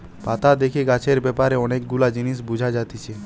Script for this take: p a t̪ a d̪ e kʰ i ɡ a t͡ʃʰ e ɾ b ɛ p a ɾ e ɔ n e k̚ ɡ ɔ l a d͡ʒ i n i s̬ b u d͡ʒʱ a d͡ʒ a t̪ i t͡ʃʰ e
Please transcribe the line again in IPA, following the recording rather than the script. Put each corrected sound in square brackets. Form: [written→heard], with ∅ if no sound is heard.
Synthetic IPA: p a t̪ a d̪ e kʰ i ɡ a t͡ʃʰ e ɾ b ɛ p a ɾ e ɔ n e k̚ ɡ [ɔ→u] l a d͡ʒ i n i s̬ b u d͡ʒʱ a d͡ʒ a t̪ i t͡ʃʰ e